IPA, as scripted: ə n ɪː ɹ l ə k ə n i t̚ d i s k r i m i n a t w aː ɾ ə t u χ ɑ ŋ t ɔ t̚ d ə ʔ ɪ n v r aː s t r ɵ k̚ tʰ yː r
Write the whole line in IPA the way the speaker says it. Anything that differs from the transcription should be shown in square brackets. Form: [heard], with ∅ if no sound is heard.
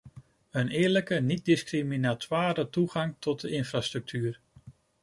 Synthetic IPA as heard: ə n ɪː ɹ l ə k ə n i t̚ d [ɪ] s k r i m i n a t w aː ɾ ə t u χ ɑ ŋ t ɔ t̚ d ə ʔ ɪ n [f] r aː s t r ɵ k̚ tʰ yː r

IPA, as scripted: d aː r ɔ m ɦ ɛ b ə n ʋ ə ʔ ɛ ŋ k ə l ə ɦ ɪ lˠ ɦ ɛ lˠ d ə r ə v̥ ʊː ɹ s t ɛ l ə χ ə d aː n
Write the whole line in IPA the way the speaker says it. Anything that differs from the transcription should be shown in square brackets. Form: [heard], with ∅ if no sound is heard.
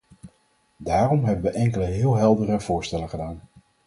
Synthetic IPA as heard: d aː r ɔ m ɦ ɛ b ə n ʋ ə ʔ ɛ ŋ k ə l ə ɦ [ɪː] lˠ ɦ ɛ lˠ d ə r ə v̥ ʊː ɹ s t ɛ l ə χ ə d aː n

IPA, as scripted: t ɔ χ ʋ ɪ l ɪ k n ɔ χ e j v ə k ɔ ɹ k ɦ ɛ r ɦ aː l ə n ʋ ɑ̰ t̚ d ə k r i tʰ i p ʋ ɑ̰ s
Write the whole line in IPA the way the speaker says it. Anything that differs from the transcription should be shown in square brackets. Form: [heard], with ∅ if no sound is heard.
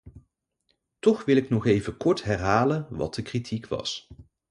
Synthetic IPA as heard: t ɔ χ ʋ ɪ l ɪ k n ɔ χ e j v ə k ɔ ɹ [t] ɦ ɛ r ɦ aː l ə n ʋ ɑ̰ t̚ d ə k r i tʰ i [k] ʋ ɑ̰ s

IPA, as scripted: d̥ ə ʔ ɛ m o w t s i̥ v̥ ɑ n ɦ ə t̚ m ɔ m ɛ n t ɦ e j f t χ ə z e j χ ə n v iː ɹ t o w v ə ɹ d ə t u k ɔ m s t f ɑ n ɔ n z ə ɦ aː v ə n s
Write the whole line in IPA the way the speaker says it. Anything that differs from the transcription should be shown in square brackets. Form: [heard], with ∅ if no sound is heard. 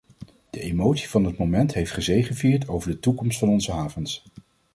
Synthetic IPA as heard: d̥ ə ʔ [e] m o w t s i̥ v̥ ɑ n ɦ ə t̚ m [o] m ɛ n t ɦ e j f t χ ə z e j χ ə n v iː ɹ t o w v ə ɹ d ə t u k ɔ m s t f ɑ n ɔ n z ə ɦ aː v ə n s

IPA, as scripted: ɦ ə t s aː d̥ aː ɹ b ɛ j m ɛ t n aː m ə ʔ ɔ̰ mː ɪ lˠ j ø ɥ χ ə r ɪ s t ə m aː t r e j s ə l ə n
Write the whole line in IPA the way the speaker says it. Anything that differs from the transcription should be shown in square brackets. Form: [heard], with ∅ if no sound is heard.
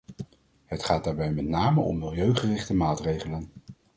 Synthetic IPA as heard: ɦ ə t [χ] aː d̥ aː ɹ b ɛ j m ɛ t n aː m ə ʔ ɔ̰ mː ɪ lˠ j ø ɥ χ ə r ɪ [χ] t ə m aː t r e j [χ] ə l ə n

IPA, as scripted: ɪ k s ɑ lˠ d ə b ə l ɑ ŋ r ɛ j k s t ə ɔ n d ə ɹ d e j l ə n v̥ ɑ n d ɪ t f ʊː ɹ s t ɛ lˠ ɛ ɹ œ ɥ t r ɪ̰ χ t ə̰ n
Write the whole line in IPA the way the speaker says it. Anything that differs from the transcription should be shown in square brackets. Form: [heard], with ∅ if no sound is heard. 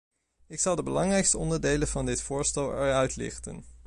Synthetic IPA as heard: ɪ k s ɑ lˠ d ə b ə l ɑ ŋ r ɛ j k s t ə ɔ n d ə ɹ d e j l ə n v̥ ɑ n d ɪ t f ʊː ɹ s t ɛ lˠ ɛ ɹ œ ɥ t [l] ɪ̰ χ t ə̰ n

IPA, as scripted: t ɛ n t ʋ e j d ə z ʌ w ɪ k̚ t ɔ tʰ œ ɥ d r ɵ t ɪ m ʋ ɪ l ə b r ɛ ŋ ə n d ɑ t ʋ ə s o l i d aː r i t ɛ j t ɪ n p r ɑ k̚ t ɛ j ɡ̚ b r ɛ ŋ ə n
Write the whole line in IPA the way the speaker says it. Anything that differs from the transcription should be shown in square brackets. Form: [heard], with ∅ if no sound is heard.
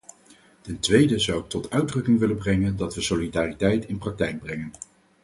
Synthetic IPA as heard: t ɛ n t ʋ e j d ə z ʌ w ɪ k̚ t ɔ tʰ œ ɥ d r ɵ [k] ɪ [ŋ] ʋ ɪ l ə b r ɛ ŋ ə n d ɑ t ʋ ə s o l i d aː r i t ɛ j t ɪ n p r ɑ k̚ t ɛ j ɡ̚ b r ɛ ŋ ə n

